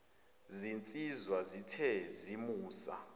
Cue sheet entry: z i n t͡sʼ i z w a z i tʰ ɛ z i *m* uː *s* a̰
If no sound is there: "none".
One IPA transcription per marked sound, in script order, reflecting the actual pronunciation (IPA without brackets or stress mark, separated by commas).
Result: m, s